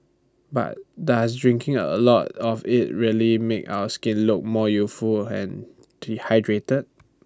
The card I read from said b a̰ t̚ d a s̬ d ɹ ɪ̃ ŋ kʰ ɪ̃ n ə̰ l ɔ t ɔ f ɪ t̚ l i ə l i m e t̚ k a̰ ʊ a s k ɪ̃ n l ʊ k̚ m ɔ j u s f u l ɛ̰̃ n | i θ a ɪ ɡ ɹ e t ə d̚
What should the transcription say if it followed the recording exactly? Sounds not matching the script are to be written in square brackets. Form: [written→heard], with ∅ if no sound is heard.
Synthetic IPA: b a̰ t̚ d a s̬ d ɹ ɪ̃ ŋ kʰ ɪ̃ [n→ŋ] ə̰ l ɔ t ɔ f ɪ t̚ [l→ɹ] i ə l i m e [t̚→∅] k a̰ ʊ [a→ə] s k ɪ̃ n l ʊ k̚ m ɔ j u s f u l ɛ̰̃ n | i [θ→h] a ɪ [ɡ→d] ɹ e t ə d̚